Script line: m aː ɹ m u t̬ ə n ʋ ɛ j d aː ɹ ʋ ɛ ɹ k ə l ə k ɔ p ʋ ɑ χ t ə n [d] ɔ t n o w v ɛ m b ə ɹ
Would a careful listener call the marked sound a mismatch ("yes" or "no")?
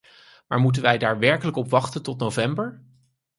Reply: yes